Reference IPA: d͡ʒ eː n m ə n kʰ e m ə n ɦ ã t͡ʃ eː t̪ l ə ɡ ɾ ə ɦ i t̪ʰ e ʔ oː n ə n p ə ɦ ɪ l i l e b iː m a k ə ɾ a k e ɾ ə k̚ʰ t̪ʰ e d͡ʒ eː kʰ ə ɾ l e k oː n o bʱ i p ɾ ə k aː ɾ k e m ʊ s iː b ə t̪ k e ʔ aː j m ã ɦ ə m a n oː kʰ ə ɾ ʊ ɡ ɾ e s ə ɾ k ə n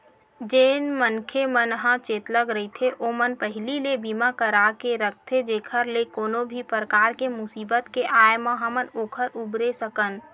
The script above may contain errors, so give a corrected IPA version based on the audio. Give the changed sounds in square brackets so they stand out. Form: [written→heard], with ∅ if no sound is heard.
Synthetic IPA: d͡ʒ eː n m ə n kʰ e m ə n ɦ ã t͡ʃ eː t̪ l ə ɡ ɾ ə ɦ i t̪ʰ e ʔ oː [n→m] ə n p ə ɦ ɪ l i l e b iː m a k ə ɾ a k e ɾ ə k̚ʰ t̪ʰ e d͡ʒ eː kʰ ə ɾ l e k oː n o bʱ i p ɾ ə k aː ɾ k e m ʊ s iː b ə t̪ k e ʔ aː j m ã ɦ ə m [a→ə] n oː kʰ ə ɾ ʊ [ɡ→b] ɾ e s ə [ɾ→∅] k ə n